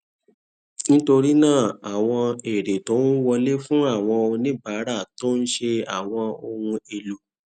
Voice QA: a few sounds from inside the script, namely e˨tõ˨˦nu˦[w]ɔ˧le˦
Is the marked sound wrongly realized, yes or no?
no